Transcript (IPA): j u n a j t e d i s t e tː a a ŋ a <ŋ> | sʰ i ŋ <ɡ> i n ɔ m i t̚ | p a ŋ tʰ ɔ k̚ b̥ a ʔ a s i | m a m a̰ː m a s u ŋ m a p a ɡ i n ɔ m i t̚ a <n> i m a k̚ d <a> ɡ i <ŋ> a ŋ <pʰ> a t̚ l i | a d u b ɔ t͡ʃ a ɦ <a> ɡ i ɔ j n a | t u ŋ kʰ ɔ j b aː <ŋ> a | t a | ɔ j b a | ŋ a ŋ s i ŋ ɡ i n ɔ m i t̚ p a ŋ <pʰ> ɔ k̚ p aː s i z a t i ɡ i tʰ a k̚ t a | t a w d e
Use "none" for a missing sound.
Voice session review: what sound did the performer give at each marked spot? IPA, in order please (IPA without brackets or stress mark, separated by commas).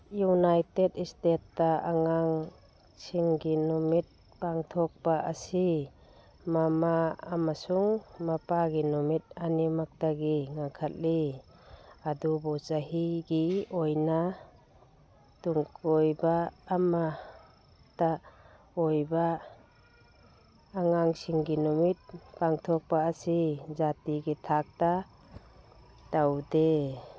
ŋ, ɡ, n, a, ŋ, kʰ, i, m, tʰ